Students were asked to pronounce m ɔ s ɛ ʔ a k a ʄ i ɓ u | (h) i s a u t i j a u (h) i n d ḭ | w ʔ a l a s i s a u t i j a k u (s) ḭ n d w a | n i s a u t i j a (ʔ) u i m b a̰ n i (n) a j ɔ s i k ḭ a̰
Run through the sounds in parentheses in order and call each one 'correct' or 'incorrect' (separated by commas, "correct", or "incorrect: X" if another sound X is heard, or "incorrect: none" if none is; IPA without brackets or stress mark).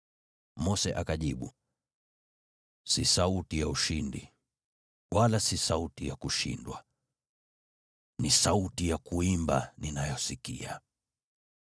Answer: incorrect: s, incorrect: ʃ, incorrect: ʃ, incorrect: k, correct